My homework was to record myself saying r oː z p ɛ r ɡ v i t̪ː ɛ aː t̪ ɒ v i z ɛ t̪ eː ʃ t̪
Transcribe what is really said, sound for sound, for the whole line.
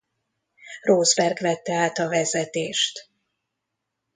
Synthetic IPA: r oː z b ɛ r ɡ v ɛ t̪ː ɛ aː t̪ ɒ v ɛ z ɛ t̪ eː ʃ t̪